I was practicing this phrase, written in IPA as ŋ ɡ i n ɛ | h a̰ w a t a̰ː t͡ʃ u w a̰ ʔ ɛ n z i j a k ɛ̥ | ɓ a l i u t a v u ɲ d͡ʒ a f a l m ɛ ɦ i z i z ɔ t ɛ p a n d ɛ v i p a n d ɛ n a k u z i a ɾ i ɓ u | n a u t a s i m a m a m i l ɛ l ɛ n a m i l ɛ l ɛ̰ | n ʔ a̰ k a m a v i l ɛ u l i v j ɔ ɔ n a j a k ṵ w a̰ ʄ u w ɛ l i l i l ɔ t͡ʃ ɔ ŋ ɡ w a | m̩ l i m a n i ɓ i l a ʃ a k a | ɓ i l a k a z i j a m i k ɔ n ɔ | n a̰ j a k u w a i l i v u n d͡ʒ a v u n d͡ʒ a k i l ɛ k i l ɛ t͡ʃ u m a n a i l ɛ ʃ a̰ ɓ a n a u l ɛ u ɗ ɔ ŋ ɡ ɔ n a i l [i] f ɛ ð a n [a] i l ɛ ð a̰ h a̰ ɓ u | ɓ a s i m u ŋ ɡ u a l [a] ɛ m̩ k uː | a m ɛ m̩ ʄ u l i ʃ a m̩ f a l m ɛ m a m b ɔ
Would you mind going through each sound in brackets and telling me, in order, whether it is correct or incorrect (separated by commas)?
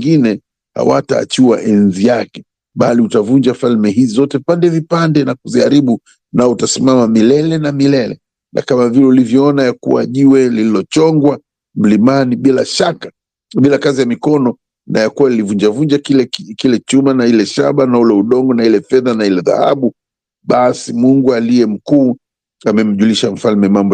incorrect, correct, incorrect